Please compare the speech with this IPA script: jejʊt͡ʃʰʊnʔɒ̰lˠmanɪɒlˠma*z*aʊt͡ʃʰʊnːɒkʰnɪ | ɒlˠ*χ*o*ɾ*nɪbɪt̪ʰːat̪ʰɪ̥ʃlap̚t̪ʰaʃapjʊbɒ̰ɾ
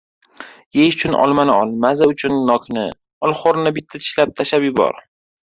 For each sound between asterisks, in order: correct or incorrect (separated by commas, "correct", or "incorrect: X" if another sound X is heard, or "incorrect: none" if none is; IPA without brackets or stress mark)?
correct, correct, correct